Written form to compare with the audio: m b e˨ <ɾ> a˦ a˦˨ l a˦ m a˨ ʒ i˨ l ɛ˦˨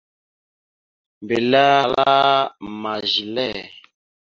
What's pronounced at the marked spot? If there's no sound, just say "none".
l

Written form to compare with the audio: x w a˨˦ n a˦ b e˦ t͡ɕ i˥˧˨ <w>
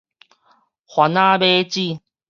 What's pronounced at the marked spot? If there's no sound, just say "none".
none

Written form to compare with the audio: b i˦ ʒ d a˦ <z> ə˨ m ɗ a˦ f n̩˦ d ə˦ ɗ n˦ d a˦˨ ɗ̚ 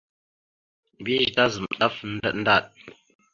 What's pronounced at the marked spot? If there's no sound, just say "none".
z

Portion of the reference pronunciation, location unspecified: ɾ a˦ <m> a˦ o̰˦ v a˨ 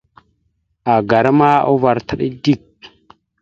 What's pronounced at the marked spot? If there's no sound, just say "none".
m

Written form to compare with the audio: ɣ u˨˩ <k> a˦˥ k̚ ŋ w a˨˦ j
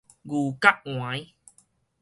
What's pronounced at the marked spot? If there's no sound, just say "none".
k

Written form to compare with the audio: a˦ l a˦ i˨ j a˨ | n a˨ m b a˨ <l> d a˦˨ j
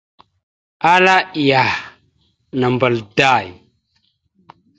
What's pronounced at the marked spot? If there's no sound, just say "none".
l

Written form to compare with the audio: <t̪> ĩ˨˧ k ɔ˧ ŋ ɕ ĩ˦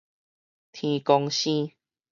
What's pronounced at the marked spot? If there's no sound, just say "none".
t̪ʰ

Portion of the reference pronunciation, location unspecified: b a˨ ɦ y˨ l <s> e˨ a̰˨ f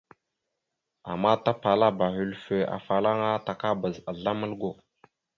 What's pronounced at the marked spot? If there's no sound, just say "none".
f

